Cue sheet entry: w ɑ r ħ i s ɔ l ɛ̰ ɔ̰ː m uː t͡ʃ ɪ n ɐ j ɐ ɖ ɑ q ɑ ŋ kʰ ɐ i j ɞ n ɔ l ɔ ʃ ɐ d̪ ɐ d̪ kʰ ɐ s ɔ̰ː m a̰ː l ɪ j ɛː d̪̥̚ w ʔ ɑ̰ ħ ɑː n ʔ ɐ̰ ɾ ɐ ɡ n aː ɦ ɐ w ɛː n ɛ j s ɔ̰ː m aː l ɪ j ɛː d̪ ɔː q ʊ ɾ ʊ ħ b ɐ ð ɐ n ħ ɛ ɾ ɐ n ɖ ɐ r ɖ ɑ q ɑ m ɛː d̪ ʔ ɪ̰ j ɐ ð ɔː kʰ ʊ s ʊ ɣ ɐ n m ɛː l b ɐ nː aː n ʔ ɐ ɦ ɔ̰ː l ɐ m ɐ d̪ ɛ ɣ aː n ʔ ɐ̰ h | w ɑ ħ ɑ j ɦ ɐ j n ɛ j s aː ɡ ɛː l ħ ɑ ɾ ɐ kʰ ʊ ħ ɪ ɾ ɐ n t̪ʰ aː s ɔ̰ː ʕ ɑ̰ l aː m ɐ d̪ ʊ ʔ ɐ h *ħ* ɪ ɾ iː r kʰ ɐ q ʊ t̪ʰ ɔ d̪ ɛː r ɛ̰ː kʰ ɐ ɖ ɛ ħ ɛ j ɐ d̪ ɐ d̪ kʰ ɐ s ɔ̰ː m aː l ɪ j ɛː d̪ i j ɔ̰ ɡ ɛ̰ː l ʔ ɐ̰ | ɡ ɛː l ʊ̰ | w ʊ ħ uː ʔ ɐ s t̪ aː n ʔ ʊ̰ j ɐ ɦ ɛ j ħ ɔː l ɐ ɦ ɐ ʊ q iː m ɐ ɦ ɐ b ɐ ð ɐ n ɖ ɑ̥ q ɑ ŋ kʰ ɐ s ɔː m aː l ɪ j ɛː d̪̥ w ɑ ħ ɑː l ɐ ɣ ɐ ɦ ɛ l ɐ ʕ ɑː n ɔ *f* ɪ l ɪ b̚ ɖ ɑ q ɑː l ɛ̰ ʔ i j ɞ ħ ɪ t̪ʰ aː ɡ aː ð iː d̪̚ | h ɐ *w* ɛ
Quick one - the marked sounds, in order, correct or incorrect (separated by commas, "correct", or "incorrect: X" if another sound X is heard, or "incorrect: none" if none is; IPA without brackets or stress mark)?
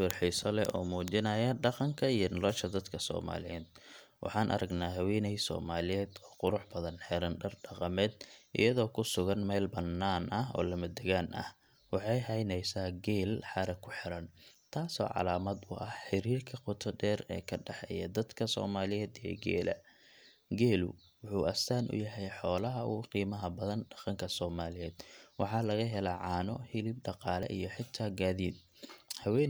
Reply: correct, incorrect: h, correct